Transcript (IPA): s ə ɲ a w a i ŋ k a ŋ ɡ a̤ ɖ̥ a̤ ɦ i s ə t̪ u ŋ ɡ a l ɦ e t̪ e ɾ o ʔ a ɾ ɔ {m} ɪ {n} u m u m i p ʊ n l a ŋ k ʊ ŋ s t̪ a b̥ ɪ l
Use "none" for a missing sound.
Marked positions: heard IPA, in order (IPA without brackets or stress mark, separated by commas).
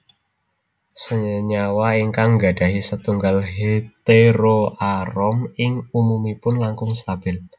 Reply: m, ŋ